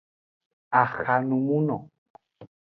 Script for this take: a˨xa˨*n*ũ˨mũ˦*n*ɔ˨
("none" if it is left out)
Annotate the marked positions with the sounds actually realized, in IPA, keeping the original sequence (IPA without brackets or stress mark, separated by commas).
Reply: n, n